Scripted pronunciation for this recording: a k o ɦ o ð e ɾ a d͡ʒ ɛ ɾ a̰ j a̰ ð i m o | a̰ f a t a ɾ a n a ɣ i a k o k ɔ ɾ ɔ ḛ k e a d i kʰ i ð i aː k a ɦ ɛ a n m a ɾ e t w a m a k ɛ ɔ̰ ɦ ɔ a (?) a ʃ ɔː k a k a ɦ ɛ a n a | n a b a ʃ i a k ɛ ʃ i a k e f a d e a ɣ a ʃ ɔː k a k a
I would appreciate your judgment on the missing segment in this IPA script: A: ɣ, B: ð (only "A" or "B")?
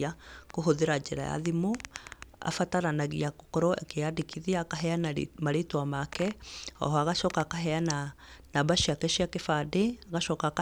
A